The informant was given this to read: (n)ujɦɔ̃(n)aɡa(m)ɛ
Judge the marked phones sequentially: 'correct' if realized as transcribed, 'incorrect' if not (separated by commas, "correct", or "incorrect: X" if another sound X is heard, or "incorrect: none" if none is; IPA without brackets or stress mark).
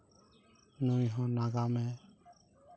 correct, correct, correct